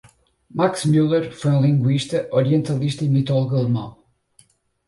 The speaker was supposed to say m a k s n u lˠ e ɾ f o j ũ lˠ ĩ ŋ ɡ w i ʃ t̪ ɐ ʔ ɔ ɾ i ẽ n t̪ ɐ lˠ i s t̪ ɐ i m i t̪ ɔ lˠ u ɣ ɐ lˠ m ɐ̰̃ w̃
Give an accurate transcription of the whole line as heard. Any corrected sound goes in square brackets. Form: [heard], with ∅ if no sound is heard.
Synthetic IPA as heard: m a k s [m] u lˠ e ɾ f o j ũ lˠ ĩ ŋ ɡ w i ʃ t̪ ɐ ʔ ɔ ɾ i ẽ n t̪ ɐ lˠ i [ʃ] t̪ ɐ i m i t̪ ɔ lˠ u ɣ ɐ lˠ m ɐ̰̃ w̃